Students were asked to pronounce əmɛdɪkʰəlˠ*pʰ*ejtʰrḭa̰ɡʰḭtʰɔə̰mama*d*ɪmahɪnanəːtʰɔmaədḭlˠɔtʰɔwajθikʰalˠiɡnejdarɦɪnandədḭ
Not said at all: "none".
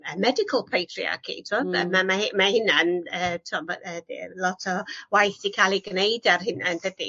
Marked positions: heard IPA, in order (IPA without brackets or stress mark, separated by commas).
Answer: pʰ, none